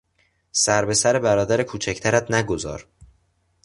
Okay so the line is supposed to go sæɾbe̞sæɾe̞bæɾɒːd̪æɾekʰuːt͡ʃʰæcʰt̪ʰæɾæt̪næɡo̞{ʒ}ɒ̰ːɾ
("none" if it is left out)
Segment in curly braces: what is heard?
z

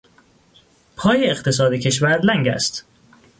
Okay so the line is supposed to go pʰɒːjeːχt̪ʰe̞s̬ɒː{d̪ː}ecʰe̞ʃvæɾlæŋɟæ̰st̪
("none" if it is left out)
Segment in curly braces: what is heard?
d̪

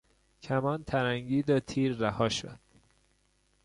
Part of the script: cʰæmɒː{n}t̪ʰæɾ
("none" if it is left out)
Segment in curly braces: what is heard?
n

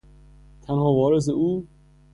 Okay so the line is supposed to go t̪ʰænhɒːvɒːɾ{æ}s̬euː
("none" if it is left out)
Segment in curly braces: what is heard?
e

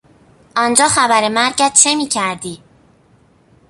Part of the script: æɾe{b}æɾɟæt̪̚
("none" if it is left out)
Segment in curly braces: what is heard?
m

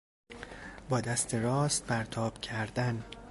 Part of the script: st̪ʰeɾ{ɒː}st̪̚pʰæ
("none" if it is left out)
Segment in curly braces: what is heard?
ɒː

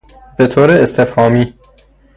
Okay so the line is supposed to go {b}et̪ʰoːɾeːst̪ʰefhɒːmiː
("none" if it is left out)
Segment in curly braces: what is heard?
b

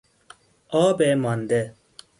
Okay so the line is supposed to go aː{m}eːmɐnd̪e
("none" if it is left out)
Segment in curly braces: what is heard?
b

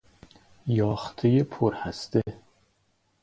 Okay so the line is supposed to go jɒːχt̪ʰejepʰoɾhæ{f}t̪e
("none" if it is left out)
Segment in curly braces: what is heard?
s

